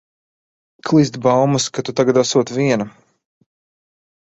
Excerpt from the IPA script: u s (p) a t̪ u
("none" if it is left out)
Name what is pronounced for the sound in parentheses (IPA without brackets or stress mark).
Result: k